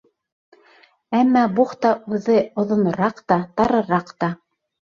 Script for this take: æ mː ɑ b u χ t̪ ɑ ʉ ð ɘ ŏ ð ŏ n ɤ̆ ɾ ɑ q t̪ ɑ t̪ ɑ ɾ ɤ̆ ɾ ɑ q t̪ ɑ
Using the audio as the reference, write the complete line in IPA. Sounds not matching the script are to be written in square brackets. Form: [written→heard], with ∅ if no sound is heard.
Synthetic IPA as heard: æ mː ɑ b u χ t̪ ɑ ʉ ð ɘ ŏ ð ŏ n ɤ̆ ɾ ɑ q t̪ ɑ t̪ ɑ ɾ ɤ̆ ɾ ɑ q t̪ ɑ